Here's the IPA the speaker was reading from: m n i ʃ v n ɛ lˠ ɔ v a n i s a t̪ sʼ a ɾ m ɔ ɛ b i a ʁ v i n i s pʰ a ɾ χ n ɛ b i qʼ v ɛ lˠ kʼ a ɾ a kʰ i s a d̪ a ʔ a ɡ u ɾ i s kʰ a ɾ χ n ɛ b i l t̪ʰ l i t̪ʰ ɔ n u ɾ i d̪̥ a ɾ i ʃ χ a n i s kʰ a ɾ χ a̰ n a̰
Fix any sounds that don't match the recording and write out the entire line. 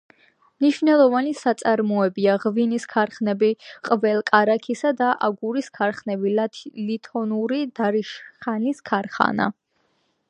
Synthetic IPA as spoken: m n i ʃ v n ɛ lˠ ɔ v a n i s a t̪ sʼ a ɾ m ɔ ɛ b i a ʁ v i n i s kʰ a ɾ χ n ɛ b i qʼ v ɛ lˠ kʼ a ɾ a kʰ i s a d̪ a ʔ a ɡ u ɾ i s kʰ a ɾ χ n ɛ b i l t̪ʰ l i t̪ʰ ɔ n u ɾ i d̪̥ a ɾ i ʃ χ a n i s kʰ a ɾ χ a̰ n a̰